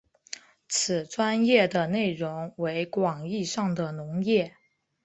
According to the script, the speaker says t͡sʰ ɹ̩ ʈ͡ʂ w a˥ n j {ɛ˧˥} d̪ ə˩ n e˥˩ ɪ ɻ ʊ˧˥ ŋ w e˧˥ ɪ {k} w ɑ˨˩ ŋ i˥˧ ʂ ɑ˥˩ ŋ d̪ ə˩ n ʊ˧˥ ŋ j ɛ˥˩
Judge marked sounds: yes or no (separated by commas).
no, yes